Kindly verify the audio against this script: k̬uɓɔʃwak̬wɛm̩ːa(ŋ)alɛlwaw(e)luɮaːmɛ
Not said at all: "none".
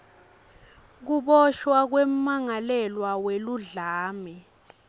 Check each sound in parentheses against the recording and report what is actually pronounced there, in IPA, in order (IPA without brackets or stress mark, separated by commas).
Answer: ŋ, e